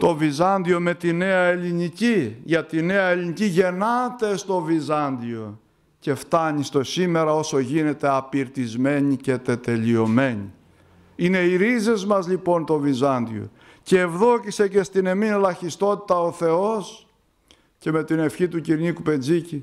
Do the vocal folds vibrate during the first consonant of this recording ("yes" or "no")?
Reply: no